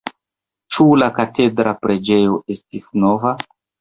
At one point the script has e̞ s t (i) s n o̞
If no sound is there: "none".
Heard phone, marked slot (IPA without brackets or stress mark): i